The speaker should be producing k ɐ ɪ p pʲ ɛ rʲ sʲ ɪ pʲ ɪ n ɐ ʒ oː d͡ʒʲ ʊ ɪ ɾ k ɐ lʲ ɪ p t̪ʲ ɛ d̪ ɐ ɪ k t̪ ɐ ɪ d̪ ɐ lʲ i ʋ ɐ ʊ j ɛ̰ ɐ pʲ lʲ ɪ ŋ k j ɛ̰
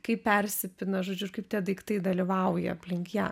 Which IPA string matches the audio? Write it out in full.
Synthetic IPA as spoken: k ɐ ɪ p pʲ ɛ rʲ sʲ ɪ pʲ ɪ n ɐ ʒ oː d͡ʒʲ ʊ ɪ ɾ k ɐ ɪ p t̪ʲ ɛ d̪ ɐ ɪ k t̪ ɐ ɪ d̪ ɐ lʲ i ʋ ɐ ʊ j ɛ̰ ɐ pʲ lʲ ɪ ŋ k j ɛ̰